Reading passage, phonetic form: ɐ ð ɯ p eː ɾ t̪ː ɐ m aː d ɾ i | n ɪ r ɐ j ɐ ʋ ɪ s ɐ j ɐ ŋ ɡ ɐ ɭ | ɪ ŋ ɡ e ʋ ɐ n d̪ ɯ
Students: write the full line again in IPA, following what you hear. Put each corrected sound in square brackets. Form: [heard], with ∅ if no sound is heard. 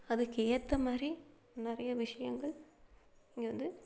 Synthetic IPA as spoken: ɐ ð ɯ [k] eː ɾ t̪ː ɐ m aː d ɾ i | n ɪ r ɐ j ɐ ʋ ɪ [ʂ] ɐ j ɐ ŋ ɡ ɐ ɭ | ɪ ŋ ɡ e ʋ ɐ n d̪ ɯ